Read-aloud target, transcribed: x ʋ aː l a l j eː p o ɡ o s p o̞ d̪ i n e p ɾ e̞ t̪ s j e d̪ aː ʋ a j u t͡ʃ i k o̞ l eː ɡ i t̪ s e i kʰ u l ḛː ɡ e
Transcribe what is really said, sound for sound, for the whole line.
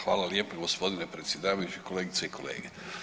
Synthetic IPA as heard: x ʋ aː l a l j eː p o ɡ o s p o̞ d̪ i n e p ɾ e̞ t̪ s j e d̪ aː ʋ a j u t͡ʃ i k o̞ l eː ɡ i t̪ s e i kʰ o l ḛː ɡ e